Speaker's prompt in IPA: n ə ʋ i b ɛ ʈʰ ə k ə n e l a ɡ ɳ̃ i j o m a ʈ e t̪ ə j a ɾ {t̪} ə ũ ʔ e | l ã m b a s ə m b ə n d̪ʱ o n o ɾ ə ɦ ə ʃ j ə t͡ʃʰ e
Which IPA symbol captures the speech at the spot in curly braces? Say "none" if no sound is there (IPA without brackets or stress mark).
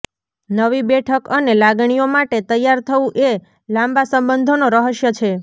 t̪ʰ